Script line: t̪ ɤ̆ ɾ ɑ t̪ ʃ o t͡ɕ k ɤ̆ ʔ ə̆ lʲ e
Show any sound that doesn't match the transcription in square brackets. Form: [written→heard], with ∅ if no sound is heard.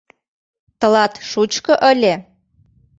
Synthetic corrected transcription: t̪ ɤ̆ [ɾ→l] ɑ t̪ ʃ [o→u] t͡ɕ k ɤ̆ ʔ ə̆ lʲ e